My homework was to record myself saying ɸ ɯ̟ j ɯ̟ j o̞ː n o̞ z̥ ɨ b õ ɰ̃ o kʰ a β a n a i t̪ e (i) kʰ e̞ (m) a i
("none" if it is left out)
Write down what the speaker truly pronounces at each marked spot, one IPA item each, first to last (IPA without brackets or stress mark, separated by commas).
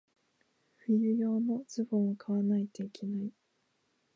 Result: i, n